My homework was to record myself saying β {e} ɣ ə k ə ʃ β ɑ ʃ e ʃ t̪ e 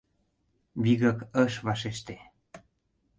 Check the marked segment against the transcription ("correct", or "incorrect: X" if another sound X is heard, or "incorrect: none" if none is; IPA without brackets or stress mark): incorrect: i